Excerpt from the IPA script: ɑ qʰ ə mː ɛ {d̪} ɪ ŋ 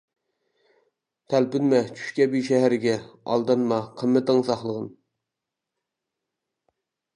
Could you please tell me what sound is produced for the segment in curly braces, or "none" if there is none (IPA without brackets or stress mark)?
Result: t̪